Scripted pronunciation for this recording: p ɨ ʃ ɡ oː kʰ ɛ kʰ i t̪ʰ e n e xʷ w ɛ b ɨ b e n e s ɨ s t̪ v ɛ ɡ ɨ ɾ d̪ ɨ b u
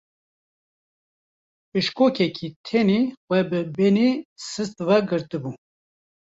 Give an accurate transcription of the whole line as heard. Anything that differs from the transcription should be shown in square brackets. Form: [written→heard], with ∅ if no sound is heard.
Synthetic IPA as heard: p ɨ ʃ [ɡ→k] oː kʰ ɛ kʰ i t̪ʰ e n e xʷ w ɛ b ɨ b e n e s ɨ s t̪ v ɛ ɡ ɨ ɾ [d̪→t̪] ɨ b u